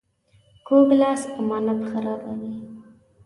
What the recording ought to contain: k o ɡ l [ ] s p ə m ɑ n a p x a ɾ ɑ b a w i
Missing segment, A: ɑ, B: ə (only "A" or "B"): A